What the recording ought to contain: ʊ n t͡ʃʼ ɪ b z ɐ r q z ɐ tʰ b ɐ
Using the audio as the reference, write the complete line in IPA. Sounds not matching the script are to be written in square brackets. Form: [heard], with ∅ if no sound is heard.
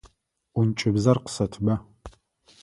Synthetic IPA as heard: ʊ n t͡ʃʼ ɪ b z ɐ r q [s] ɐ tʰ b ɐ